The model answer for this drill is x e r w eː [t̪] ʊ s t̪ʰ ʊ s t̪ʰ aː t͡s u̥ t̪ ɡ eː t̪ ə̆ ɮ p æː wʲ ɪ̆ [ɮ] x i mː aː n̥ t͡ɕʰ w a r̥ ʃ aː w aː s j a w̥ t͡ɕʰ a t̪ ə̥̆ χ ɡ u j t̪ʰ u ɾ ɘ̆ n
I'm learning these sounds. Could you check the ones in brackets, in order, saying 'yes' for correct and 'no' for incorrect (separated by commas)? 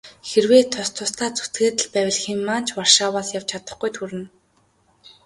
no, yes